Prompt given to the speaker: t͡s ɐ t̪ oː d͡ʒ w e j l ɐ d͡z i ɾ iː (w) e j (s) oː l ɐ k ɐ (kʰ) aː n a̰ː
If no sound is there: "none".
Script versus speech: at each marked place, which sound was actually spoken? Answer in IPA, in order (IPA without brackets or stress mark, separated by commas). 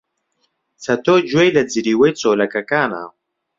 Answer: w, t͡s, k